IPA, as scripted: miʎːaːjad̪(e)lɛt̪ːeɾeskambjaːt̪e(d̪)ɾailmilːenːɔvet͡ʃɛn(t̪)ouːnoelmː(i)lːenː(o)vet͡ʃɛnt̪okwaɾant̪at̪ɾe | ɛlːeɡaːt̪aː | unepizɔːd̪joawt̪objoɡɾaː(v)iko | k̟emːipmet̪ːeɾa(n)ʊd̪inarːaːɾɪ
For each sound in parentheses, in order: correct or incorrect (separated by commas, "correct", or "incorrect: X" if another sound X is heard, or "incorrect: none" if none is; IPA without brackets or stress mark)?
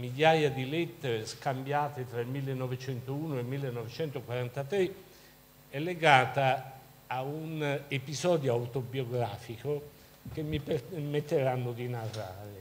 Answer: incorrect: i, incorrect: t̪, correct, correct, incorrect: ɔ, incorrect: f, incorrect: nː